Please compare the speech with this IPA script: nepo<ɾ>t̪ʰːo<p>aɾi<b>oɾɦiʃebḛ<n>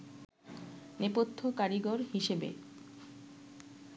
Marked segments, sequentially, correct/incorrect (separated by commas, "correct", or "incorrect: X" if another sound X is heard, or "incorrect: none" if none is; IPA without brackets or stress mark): incorrect: none, incorrect: k, incorrect: ɡ, incorrect: none